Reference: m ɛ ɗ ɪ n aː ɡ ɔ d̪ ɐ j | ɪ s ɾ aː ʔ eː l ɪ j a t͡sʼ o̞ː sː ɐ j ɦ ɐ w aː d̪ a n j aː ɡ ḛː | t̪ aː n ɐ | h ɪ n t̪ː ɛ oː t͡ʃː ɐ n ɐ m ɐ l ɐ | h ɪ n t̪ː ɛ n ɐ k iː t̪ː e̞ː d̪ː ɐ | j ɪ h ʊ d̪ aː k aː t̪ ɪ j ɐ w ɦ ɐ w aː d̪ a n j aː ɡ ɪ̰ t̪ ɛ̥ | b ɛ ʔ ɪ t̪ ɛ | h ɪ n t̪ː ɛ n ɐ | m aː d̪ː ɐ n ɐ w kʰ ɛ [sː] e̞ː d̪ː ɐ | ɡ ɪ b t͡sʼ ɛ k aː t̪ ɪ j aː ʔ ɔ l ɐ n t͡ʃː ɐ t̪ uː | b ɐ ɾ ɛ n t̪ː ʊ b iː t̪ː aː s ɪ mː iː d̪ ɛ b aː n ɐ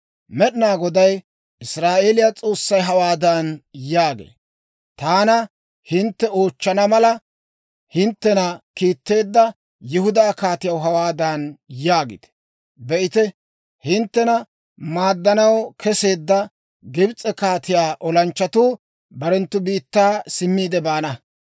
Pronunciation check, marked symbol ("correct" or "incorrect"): incorrect